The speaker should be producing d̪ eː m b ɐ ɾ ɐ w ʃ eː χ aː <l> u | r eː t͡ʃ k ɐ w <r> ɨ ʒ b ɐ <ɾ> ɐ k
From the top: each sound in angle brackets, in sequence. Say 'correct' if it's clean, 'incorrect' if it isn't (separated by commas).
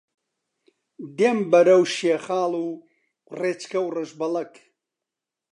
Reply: correct, correct, incorrect